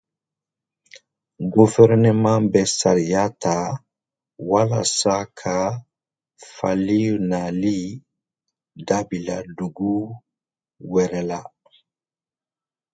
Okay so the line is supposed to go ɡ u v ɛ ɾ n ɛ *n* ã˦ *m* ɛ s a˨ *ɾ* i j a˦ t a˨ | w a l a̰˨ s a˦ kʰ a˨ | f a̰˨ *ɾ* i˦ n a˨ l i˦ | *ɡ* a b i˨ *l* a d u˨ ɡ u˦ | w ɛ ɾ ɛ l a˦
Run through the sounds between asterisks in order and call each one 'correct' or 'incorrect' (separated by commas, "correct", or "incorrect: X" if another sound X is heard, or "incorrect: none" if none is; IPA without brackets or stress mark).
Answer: incorrect: m, incorrect: b, correct, incorrect: l, incorrect: d, correct